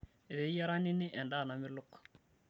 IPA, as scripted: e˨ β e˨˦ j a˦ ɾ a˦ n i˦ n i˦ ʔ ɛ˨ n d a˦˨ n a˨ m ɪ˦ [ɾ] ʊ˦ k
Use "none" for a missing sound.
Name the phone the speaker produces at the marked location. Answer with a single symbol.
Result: l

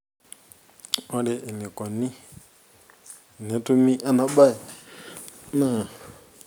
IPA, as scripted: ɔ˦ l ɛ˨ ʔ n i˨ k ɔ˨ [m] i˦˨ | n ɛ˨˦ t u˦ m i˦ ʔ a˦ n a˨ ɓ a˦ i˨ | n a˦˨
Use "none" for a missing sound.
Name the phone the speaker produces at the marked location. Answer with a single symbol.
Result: n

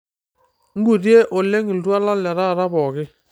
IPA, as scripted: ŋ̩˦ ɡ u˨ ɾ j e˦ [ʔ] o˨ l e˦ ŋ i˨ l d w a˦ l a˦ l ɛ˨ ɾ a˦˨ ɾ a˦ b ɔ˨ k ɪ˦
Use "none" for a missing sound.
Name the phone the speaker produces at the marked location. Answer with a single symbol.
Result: ʔ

